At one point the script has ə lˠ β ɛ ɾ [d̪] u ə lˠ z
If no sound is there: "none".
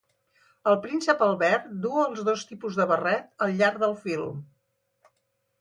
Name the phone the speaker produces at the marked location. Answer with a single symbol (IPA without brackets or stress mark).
d̪